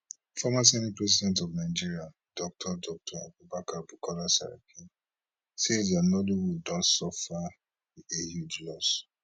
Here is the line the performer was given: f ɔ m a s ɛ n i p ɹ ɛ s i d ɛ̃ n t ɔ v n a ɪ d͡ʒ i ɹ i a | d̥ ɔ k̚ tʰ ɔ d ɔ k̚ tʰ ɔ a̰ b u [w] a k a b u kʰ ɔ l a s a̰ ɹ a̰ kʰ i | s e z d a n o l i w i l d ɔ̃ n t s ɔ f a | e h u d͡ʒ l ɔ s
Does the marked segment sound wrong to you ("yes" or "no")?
yes